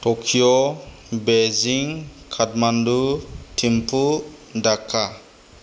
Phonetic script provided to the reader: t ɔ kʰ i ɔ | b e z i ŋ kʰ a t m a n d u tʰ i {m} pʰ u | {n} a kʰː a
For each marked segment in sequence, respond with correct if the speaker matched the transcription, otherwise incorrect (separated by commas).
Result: correct, incorrect